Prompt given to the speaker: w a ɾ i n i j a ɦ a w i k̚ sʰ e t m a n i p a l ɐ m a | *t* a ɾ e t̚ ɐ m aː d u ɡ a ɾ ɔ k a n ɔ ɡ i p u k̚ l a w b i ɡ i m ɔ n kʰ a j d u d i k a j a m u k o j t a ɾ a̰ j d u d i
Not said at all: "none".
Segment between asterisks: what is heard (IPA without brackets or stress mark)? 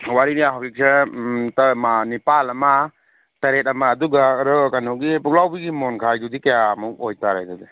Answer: t